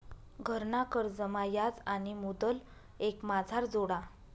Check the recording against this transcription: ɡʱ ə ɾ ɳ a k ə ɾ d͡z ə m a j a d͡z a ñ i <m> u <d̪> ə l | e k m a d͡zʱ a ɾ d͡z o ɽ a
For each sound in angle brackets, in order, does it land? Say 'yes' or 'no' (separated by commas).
yes, yes